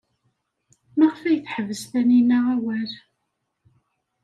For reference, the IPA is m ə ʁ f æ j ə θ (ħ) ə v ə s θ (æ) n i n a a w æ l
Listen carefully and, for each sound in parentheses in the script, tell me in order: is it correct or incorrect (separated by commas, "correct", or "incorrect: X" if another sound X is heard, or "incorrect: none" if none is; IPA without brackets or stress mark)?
correct, correct